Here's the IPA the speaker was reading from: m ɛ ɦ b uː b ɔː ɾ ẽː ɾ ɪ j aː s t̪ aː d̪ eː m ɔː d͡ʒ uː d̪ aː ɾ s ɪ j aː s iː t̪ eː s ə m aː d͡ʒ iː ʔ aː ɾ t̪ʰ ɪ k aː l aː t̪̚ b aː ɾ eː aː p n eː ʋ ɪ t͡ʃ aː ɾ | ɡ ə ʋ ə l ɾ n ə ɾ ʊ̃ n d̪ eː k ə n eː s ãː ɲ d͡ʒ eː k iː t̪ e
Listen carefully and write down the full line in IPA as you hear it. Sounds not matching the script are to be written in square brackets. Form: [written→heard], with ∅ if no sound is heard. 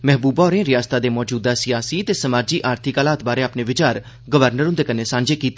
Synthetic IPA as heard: m ɛ ɦ b uː b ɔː ɾ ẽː ɾ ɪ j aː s t̪ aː d̪ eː m ɔː d͡ʒ uː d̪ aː [ɾ→∅] s ɪ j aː s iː t̪ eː s ə m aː d͡ʒ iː ʔ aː ɾ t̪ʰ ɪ k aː l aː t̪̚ b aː ɾ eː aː p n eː ʋ ɪ t͡ʃ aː ɾ | ɡ ə ʋ ə [l→∅] ɾ n ə ɾ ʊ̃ n d̪ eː k ə n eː s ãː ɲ d͡ʒ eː k iː t̪ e